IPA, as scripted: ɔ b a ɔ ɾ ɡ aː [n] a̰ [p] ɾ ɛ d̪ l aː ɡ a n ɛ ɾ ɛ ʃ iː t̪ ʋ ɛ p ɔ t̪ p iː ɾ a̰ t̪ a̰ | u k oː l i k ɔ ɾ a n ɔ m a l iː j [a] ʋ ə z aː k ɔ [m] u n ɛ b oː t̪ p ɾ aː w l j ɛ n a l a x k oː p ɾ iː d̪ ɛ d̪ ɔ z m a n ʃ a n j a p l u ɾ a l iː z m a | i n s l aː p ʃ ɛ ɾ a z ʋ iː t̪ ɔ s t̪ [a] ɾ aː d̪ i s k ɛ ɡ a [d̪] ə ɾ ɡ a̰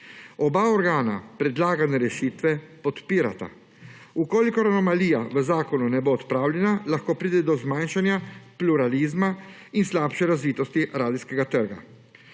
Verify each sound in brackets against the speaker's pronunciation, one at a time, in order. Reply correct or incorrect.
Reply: correct, correct, correct, incorrect: n, incorrect: i, incorrect: t̪

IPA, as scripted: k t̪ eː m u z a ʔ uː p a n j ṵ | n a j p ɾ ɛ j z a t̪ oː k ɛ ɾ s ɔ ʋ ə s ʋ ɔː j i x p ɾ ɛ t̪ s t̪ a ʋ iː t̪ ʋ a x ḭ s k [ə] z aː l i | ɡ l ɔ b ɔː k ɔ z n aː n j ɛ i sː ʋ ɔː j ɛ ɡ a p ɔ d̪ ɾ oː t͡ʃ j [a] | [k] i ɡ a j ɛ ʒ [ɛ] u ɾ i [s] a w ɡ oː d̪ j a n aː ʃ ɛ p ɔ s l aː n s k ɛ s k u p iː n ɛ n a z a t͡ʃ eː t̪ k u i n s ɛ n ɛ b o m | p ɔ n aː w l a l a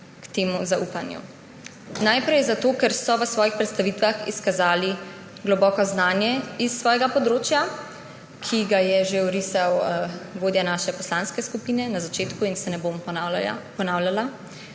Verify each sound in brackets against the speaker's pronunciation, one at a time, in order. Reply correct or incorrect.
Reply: incorrect: a, correct, incorrect: kʰ, incorrect: e, correct

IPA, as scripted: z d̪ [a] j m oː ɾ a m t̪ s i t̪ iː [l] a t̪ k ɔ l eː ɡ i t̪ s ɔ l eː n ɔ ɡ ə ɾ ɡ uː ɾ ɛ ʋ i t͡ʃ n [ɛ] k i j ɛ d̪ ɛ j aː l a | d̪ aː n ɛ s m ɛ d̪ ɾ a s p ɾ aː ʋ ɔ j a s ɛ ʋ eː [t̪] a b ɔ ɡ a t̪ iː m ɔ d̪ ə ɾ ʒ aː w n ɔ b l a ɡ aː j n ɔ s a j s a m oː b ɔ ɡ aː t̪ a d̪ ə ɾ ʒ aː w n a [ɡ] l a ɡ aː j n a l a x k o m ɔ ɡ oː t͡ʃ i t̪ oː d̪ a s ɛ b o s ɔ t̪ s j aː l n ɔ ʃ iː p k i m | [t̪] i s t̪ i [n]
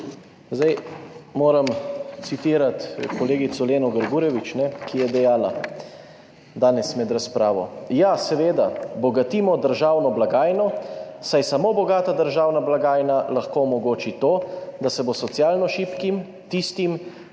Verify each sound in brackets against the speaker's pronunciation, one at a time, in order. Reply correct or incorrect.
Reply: correct, incorrect: ɾ, correct, incorrect: d̪, incorrect: b, correct, incorrect: m

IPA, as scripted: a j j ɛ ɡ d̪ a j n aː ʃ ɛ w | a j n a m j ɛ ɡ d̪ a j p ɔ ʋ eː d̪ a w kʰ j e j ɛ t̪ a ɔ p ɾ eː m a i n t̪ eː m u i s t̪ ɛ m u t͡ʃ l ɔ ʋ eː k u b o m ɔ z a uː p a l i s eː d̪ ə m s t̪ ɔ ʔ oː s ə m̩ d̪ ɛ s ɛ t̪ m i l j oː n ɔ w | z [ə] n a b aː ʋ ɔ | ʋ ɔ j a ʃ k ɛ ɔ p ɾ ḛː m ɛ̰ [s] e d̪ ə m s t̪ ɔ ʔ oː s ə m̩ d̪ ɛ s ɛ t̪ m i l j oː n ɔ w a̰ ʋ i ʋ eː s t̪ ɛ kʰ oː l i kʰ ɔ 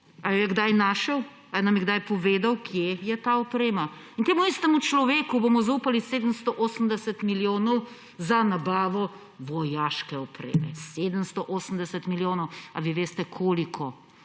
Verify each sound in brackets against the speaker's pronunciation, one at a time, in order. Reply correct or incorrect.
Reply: incorrect: a, correct

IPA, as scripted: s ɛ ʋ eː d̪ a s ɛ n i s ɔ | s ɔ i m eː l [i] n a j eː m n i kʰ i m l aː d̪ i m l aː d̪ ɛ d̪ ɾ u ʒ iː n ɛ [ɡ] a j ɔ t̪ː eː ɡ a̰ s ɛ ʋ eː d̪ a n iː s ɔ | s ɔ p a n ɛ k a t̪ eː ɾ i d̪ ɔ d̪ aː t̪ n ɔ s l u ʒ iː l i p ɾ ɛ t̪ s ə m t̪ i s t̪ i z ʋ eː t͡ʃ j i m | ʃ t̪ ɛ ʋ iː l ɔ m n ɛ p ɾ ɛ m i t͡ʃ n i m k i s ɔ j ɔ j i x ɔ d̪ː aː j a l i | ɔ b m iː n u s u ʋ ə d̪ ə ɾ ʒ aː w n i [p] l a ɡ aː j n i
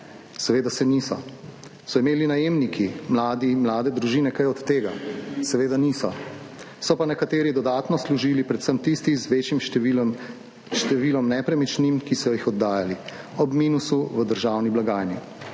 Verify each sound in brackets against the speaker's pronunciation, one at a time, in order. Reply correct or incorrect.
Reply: correct, incorrect: k, incorrect: b

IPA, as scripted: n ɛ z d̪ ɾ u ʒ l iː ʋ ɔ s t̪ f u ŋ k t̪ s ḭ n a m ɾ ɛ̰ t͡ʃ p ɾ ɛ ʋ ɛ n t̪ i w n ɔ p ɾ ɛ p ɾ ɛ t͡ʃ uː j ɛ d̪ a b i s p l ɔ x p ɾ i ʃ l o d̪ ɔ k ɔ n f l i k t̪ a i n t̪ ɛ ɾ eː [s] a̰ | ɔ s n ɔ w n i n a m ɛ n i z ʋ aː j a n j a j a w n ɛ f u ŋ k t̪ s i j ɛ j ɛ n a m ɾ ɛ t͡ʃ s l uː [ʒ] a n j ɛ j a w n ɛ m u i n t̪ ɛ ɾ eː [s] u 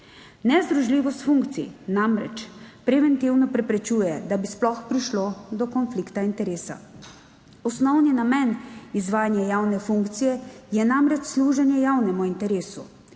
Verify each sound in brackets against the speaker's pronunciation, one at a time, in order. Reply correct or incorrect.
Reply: correct, correct, correct

